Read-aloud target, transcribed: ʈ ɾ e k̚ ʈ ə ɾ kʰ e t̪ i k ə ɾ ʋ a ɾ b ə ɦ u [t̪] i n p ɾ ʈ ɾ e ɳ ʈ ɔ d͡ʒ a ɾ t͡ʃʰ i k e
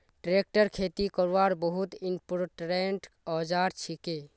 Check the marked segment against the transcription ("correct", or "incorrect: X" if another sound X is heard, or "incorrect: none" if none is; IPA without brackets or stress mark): correct